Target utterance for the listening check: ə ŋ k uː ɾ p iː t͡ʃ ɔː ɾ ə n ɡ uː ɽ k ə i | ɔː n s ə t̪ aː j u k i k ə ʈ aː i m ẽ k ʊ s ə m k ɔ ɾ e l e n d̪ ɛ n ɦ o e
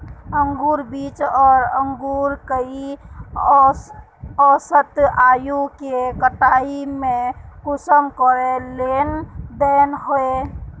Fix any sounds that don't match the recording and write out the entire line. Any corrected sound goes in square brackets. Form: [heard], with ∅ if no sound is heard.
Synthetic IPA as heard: ə ŋ [ɡ] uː ɾ [b] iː t͡ʃ ɔː ɾ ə [ŋ] ɡ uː [ɾ] k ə i | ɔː [∅] s ə t̪ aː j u k [e] k ə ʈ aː i m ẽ k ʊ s ə m k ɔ ɾ e l e n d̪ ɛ n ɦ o e